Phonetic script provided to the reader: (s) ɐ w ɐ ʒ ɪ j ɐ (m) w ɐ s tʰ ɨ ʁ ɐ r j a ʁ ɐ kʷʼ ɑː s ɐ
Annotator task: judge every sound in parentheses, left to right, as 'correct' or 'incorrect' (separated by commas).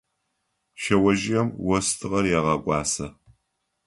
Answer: incorrect, correct